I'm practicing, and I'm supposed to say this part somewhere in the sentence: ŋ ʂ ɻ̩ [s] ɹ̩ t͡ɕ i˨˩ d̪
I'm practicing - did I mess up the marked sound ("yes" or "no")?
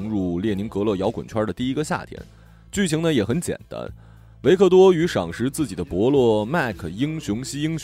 yes